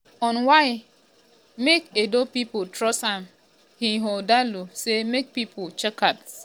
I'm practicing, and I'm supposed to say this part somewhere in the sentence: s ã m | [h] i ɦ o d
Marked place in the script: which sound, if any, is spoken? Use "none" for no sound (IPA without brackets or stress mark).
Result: h